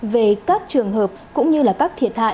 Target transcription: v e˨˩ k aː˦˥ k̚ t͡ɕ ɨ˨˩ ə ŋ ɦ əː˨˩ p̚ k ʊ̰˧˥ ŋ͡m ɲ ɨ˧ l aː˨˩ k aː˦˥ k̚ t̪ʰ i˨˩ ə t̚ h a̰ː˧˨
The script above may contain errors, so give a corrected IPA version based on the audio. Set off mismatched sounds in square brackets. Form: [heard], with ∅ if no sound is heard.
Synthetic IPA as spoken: v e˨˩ k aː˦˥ k̚ t͡ɕ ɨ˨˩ ə ŋ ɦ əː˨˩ p̚ k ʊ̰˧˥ ŋ͡m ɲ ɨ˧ l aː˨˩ k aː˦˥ k̚ t̪ʰ i˨˩ ə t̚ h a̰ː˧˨